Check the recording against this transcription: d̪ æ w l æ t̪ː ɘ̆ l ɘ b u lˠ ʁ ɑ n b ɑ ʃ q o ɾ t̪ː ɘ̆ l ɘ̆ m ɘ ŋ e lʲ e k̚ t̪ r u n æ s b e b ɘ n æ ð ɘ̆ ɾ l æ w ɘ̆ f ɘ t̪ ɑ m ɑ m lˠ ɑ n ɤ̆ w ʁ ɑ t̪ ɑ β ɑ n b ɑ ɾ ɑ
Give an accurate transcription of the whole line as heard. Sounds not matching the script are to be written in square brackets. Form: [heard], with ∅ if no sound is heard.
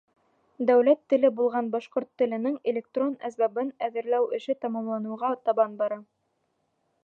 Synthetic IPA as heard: d̪ æ w l æ t̪ː ɘ̆ l ɘ b u lˠ ʁ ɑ n b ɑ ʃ q o ɾ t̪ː ɘ̆ l ɘ̆ [n] ɘ ŋ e lʲ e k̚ t̪ r [o] n æ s b [æ] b ɘ n æ ð ɘ̆ ɾ l æ w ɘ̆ [ʃ] ɘ t̪ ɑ m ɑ m lˠ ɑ n ɤ̆ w ʁ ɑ t̪ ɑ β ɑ n b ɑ ɾ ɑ